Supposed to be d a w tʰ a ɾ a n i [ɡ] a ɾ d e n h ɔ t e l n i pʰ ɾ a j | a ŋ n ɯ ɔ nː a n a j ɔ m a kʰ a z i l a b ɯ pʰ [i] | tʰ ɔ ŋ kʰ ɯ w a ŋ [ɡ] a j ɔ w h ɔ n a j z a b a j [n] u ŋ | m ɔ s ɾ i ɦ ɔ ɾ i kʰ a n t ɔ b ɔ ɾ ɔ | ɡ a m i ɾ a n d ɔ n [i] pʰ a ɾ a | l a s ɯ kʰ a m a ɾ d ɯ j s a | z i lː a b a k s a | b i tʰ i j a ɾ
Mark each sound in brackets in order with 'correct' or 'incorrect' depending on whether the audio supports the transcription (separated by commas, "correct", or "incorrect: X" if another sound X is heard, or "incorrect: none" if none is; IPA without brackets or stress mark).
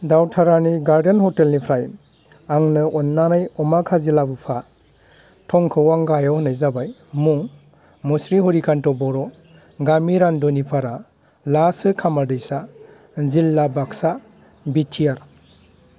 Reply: correct, incorrect: a, correct, incorrect: m, correct